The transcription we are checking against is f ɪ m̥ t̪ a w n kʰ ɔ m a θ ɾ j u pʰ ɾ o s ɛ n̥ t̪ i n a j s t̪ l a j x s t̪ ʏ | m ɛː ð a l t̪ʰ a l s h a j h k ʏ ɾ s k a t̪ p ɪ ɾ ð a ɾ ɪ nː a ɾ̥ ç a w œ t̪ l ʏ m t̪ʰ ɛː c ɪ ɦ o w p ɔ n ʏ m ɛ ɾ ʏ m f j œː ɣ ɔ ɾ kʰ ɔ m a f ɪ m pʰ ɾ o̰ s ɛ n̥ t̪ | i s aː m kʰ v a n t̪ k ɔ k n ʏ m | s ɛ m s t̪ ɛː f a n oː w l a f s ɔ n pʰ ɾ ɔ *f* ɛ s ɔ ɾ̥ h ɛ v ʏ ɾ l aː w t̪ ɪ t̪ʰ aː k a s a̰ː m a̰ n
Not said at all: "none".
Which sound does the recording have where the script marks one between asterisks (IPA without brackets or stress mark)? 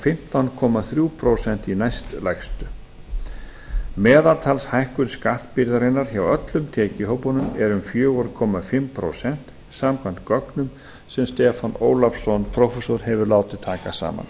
f